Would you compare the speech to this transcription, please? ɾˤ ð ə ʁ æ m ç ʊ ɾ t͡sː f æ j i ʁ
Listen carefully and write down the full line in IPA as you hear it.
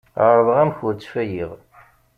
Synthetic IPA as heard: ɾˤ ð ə ʁ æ m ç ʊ ɾ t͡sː f æ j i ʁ